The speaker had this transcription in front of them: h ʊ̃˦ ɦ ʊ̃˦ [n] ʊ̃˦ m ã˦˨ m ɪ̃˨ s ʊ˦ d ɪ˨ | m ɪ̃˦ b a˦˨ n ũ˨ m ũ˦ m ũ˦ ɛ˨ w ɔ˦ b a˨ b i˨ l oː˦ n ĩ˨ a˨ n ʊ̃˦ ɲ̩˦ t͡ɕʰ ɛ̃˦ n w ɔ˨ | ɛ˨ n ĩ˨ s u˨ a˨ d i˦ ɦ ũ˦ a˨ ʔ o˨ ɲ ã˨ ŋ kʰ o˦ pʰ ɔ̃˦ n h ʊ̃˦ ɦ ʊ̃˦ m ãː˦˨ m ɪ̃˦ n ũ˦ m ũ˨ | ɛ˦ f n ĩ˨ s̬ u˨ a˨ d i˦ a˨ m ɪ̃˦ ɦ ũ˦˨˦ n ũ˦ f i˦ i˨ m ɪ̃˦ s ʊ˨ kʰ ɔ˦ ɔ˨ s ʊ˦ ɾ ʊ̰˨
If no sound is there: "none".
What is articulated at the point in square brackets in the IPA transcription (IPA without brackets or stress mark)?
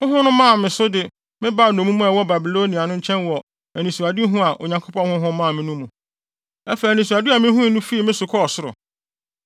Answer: n